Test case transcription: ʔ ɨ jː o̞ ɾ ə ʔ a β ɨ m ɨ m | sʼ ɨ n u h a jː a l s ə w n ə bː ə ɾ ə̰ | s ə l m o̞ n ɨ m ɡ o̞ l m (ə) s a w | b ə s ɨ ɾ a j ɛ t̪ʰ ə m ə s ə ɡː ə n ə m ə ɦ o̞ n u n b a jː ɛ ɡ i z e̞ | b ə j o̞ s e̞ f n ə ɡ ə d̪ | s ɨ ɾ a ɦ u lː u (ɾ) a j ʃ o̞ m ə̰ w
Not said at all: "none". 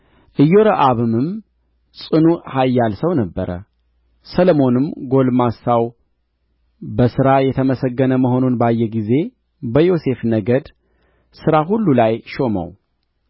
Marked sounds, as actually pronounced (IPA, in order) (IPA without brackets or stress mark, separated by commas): a, l